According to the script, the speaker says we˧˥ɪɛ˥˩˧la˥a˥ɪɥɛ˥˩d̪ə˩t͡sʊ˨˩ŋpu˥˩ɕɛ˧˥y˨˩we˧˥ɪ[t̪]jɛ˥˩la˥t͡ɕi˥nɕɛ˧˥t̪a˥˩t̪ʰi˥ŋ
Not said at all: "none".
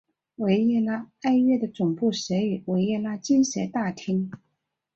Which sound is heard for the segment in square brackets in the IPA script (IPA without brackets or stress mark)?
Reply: none